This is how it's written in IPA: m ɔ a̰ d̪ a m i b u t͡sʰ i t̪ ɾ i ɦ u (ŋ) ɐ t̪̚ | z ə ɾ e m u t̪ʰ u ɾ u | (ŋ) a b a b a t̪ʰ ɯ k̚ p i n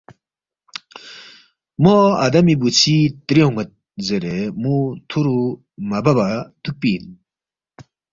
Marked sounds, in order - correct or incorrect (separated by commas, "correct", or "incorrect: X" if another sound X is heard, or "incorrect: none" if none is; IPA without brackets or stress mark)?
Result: correct, incorrect: m